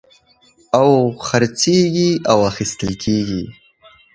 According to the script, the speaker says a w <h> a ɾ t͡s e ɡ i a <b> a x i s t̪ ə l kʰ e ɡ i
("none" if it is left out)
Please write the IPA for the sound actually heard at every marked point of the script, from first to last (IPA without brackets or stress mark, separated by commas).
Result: x, w